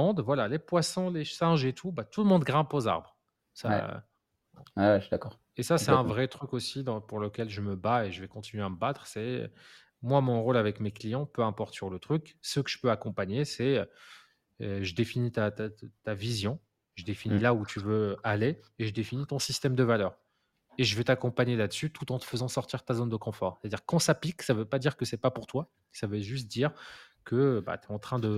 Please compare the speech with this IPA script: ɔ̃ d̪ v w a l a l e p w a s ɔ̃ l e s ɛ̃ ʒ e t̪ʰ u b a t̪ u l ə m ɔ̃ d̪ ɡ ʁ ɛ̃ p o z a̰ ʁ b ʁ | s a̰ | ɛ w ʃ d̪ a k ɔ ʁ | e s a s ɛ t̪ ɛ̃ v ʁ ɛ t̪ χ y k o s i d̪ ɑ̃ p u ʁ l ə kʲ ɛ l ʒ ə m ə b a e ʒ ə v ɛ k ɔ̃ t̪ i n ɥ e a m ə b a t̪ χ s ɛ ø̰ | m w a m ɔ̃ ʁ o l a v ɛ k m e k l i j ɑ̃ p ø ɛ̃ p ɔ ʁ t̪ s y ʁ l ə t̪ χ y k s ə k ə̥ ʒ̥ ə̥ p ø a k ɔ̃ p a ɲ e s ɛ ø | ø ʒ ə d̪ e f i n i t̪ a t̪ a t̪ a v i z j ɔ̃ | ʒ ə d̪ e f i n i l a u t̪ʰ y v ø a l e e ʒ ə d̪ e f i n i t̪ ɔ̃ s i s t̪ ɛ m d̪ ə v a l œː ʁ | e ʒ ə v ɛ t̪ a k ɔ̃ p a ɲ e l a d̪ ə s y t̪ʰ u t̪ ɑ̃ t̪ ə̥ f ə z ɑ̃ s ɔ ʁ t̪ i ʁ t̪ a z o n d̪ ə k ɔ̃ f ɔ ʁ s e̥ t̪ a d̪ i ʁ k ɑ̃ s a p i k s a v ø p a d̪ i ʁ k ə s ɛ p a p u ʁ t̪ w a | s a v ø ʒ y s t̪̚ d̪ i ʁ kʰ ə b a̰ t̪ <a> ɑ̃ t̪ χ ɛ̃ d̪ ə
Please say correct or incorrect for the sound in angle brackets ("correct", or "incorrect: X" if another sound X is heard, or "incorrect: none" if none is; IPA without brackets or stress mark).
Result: incorrect: ɛ